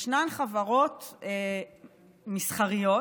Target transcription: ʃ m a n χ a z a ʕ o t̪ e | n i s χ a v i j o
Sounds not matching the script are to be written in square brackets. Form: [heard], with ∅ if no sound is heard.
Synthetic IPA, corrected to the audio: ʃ [n] a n χ a [v] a [ʁ] o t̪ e | [m] i s χ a [ʁ] i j o